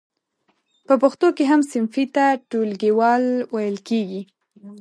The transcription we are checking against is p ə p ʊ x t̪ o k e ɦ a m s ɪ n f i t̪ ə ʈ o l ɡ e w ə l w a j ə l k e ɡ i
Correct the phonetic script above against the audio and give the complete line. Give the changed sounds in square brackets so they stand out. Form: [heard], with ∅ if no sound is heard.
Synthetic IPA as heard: p ə p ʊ x t̪ o k e ɦ a m s ɪ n f i t̪ [a] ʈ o l ɡ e w [ɑ] l w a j ə l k e ɡ i